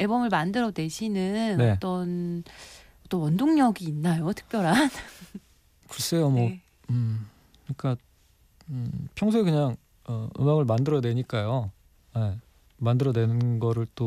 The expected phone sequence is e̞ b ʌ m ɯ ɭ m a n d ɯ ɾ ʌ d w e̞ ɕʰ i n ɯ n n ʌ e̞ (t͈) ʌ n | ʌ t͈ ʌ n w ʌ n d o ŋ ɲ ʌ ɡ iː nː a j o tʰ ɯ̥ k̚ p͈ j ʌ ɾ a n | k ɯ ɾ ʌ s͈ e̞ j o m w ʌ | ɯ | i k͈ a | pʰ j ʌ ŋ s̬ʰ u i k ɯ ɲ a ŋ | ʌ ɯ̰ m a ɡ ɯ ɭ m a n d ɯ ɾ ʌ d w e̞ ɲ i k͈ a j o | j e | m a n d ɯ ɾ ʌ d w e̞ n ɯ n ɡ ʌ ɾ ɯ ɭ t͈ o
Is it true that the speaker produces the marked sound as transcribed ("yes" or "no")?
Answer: yes